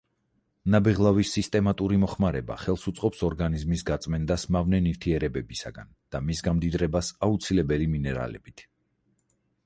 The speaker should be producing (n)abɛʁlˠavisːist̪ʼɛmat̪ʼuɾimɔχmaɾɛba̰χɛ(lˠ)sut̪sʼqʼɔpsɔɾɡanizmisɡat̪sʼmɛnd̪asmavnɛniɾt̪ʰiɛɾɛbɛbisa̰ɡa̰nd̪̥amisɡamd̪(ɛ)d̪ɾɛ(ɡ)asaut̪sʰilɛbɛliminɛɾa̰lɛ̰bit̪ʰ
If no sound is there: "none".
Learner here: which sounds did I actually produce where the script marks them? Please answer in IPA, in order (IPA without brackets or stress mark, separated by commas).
n, lˠ, i, b